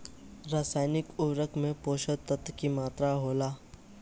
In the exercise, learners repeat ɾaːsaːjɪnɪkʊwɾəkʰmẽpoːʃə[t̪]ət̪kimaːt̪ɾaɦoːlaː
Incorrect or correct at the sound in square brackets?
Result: correct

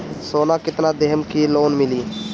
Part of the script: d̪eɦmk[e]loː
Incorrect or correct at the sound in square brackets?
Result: incorrect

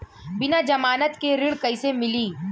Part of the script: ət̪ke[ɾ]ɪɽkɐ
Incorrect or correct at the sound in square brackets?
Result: correct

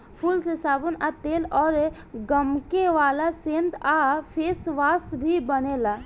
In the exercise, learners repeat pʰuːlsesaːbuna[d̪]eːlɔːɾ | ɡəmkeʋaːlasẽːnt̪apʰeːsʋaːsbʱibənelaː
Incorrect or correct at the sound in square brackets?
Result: incorrect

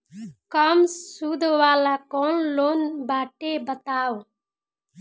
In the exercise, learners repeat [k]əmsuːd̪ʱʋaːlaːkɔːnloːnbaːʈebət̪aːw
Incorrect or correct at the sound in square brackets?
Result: correct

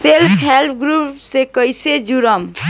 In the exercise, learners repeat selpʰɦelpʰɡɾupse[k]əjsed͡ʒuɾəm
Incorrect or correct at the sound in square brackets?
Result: correct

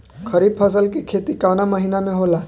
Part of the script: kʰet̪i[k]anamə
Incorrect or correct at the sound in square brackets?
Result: correct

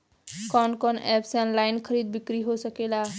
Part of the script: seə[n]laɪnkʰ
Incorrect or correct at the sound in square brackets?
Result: correct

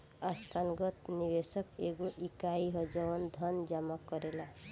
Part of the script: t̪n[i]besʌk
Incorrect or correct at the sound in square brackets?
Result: correct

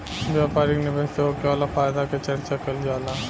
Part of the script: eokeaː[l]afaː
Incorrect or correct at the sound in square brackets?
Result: correct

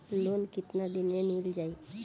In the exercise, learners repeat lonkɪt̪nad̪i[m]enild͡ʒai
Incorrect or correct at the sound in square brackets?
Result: incorrect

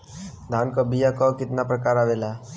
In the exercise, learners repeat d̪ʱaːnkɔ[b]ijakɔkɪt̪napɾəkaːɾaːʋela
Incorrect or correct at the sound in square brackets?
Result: correct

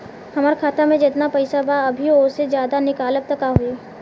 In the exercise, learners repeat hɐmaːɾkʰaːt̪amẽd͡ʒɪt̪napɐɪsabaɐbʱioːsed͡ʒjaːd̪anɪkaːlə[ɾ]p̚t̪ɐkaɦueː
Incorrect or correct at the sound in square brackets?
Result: incorrect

